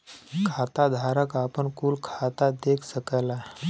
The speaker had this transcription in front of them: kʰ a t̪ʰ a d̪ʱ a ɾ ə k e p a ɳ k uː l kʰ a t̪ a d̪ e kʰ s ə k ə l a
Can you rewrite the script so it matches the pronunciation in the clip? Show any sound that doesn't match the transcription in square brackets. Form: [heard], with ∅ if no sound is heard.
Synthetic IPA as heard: kʰ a [t̪] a d̪ʱ a ɾ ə k [a] p [ə] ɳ k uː l kʰ a t̪ a d̪ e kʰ s ə k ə l a